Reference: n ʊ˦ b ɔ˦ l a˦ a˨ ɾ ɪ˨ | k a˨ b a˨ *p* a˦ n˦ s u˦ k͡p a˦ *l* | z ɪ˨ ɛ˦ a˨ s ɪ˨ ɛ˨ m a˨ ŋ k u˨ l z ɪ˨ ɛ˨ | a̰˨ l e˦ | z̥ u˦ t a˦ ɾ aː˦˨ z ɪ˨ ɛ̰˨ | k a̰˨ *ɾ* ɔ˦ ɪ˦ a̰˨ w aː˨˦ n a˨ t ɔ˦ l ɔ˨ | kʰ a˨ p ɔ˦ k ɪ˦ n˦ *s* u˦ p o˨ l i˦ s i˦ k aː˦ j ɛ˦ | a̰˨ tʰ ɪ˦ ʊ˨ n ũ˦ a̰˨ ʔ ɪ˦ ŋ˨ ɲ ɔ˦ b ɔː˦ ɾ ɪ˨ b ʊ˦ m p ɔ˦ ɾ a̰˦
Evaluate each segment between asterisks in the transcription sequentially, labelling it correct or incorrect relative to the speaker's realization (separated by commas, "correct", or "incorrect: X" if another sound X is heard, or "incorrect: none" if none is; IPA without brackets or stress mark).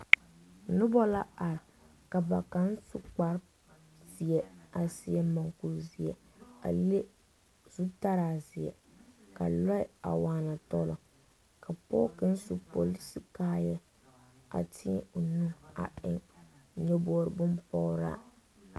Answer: incorrect: k, incorrect: ɾ, incorrect: l, correct